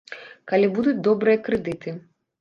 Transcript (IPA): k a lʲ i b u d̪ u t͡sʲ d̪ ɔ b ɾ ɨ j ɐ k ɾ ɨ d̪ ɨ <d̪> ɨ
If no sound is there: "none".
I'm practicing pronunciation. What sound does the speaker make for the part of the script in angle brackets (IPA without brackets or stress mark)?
t̪